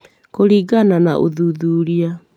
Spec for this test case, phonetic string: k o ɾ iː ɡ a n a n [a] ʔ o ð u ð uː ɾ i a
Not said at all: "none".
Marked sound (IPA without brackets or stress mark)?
a